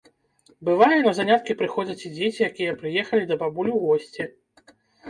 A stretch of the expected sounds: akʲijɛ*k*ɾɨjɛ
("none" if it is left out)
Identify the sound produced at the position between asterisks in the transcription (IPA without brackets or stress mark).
p